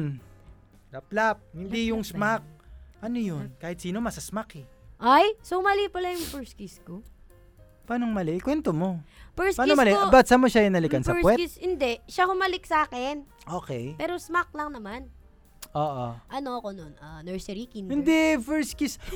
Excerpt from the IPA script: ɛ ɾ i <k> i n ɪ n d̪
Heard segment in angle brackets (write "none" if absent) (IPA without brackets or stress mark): k